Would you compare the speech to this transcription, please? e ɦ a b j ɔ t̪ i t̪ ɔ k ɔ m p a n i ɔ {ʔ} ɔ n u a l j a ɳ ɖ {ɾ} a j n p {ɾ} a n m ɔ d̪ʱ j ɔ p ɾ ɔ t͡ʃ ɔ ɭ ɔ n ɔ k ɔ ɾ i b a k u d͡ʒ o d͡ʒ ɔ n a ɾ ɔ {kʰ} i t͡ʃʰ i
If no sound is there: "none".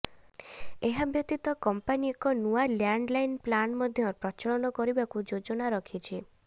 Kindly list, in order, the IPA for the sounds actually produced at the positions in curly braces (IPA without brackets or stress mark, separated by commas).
k, l, l, kʰ